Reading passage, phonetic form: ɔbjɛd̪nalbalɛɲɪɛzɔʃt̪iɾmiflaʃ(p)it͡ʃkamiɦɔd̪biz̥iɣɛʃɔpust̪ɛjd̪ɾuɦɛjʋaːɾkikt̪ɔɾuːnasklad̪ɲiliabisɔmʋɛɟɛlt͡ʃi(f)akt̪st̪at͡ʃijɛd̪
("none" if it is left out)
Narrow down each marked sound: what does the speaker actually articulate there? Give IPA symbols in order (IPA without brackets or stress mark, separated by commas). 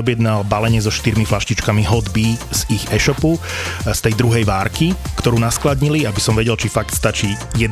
c, f